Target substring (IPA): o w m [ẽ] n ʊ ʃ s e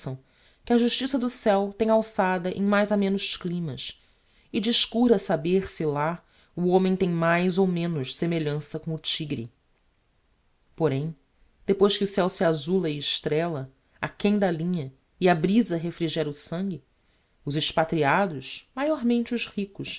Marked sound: correct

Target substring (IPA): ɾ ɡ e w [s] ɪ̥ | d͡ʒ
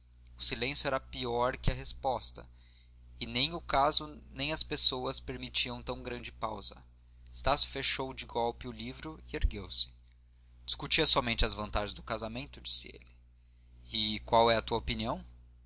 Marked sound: correct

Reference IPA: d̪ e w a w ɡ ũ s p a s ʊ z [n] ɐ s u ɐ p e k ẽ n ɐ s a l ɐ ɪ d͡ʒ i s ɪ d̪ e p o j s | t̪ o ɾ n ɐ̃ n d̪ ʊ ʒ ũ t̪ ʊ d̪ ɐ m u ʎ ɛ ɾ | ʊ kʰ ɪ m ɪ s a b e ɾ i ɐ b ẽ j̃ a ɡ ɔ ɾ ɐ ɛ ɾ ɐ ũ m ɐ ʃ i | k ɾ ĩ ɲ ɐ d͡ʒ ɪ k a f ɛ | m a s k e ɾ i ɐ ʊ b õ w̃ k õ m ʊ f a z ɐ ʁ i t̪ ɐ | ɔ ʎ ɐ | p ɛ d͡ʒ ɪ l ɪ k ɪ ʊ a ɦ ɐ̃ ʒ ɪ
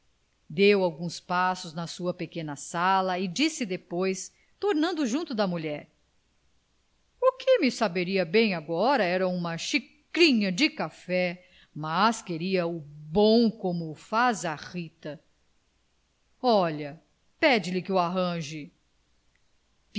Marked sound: correct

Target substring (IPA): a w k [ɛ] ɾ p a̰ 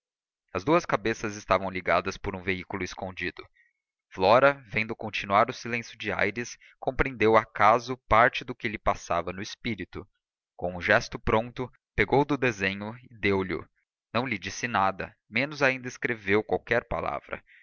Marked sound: correct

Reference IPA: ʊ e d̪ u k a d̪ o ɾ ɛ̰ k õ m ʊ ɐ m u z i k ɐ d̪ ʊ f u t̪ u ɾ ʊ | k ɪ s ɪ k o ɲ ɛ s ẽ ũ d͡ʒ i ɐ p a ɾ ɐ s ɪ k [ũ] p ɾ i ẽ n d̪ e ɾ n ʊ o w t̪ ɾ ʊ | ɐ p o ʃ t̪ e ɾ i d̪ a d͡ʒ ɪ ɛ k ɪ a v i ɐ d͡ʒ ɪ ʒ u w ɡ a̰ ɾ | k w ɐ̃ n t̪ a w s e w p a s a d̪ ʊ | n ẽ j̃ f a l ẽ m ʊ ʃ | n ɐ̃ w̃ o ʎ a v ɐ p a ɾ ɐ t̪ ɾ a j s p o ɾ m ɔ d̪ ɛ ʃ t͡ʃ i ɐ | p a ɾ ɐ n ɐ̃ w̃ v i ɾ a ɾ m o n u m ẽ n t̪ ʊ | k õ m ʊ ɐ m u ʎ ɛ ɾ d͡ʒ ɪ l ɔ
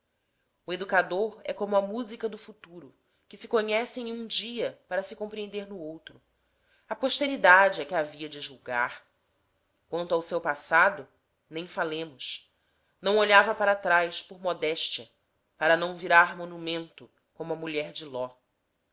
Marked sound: incorrect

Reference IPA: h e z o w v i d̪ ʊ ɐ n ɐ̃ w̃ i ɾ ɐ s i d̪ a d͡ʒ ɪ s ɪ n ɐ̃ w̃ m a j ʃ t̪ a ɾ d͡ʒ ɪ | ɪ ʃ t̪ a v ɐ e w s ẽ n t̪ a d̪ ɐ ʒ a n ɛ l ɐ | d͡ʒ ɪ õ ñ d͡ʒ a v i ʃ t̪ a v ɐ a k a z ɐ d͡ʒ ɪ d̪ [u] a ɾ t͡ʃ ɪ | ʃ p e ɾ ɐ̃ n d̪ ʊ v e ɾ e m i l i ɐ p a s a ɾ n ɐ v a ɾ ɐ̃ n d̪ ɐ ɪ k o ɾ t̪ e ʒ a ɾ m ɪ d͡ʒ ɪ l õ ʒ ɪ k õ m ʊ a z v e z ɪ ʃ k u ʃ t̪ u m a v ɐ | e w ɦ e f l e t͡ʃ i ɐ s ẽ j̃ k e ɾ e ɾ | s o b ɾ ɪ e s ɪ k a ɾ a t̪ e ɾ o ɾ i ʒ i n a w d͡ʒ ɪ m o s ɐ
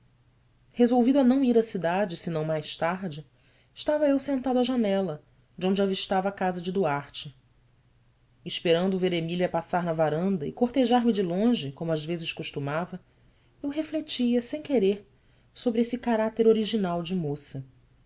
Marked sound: correct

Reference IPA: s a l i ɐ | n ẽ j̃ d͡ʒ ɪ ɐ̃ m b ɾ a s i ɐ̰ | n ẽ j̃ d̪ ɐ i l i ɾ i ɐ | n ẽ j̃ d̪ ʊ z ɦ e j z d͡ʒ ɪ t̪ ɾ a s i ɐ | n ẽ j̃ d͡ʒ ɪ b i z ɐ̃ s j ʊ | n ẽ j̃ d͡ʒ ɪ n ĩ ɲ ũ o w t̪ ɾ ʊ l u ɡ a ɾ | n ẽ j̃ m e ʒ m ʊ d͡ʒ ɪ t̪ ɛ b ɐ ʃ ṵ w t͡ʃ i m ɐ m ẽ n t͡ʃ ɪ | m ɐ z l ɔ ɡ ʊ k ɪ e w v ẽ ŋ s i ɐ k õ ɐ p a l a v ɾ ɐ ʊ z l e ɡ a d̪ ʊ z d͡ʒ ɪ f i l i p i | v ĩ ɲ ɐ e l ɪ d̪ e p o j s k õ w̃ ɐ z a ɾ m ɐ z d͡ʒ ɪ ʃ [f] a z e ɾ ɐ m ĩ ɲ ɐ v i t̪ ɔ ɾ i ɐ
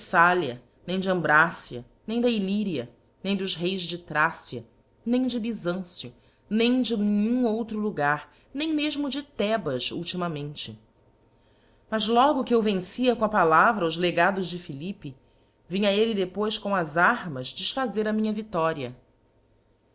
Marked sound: correct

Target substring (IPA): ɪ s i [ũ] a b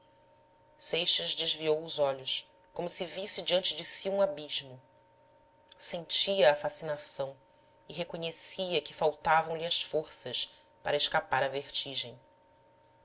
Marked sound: correct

